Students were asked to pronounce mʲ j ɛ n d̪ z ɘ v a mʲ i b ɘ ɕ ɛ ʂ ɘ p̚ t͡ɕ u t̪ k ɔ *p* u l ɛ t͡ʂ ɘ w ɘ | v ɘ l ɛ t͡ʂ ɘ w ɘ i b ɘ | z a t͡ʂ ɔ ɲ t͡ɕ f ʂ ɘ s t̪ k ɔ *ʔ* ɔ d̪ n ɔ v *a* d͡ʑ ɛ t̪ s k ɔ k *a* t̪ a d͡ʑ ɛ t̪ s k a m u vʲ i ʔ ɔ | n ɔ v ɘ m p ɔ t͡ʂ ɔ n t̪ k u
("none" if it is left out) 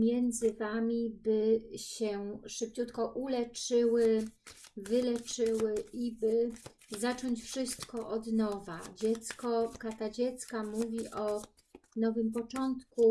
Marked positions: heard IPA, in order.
ʔ, ʔ, a, a

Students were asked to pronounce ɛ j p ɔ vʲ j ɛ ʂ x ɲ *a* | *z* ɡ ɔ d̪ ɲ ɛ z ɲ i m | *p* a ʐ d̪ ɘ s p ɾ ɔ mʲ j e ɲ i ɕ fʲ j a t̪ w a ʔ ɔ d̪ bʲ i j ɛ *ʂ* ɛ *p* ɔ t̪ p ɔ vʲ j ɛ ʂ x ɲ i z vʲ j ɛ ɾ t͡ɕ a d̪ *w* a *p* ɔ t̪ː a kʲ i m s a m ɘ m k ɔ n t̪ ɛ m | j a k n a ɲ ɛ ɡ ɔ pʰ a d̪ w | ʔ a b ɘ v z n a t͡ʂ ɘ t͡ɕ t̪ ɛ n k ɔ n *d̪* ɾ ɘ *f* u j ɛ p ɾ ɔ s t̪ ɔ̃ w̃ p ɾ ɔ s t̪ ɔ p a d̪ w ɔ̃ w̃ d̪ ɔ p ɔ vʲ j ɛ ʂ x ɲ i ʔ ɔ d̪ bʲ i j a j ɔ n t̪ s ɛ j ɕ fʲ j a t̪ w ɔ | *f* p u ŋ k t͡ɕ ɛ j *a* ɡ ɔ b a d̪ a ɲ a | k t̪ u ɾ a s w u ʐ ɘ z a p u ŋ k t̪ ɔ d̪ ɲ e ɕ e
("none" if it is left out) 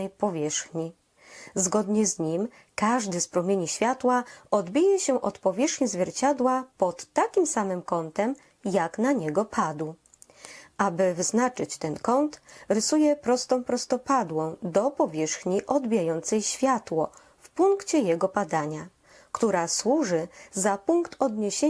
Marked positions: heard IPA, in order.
i, z, k, ɕ, ʔ, w, p, t̪, s, f, ɛ

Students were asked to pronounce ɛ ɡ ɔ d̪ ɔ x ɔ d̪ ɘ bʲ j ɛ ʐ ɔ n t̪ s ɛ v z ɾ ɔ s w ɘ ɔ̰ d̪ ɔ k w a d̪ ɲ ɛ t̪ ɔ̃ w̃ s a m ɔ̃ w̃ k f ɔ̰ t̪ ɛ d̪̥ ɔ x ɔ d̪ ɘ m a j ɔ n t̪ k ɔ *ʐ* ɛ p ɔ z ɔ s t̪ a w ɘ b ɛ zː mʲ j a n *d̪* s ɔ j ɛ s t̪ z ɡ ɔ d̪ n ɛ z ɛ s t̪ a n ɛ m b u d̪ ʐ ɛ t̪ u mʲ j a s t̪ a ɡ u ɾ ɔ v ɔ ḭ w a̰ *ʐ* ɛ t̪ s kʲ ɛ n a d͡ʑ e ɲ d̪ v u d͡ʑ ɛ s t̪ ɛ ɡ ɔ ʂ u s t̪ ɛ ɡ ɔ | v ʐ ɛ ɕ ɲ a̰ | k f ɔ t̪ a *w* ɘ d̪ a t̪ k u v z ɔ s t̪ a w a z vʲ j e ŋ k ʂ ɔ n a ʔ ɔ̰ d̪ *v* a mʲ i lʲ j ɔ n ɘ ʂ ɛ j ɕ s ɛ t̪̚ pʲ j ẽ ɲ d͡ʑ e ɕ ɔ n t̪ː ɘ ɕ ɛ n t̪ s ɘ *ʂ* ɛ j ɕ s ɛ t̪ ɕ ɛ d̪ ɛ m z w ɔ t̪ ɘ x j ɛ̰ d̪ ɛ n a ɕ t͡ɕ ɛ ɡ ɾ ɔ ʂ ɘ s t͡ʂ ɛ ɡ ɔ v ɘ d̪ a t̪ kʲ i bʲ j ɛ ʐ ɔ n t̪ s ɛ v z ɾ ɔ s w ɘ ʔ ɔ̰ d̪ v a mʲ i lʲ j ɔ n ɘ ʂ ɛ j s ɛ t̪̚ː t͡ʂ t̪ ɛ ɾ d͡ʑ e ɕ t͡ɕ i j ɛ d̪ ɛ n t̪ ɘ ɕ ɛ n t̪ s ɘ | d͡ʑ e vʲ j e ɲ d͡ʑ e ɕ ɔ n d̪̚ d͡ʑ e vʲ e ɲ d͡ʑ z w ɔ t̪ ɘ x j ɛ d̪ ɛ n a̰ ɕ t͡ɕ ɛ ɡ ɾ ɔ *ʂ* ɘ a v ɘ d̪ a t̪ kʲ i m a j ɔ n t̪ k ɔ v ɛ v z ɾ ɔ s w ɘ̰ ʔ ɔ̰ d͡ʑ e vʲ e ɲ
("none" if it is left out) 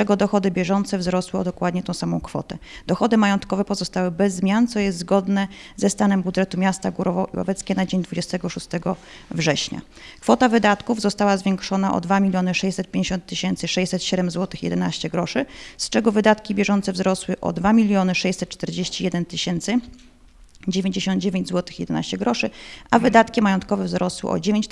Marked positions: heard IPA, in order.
v, t̪, v, v, v, ʂ, ʂ

